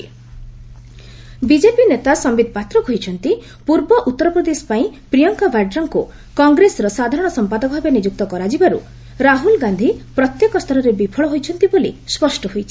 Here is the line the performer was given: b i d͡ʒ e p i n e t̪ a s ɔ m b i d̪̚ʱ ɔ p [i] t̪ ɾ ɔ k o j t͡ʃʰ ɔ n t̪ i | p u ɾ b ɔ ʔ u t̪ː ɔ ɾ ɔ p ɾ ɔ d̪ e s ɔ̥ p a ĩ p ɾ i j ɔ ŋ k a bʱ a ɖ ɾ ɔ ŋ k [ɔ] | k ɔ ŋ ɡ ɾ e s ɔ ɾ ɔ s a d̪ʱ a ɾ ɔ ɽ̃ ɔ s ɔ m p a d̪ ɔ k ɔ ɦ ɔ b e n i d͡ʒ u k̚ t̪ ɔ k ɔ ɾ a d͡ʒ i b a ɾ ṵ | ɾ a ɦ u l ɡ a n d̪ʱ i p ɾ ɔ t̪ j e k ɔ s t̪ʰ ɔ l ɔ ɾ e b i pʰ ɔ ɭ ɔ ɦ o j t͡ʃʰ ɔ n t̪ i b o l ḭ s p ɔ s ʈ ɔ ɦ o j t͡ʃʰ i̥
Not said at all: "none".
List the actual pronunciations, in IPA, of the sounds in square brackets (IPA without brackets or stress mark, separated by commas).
a, u